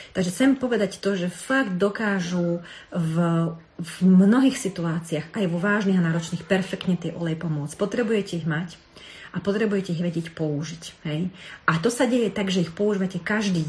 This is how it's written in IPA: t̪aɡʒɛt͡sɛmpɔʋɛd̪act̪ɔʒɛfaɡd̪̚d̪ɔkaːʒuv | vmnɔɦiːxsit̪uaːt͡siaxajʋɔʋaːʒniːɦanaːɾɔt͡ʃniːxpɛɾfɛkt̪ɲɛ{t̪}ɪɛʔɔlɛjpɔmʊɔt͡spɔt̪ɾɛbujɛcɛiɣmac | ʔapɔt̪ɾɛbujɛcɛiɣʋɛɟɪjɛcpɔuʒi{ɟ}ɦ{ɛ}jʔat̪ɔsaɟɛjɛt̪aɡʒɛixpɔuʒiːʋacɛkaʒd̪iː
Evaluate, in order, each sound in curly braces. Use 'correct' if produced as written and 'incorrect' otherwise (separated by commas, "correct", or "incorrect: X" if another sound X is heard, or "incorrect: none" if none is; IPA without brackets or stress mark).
correct, incorrect: c, correct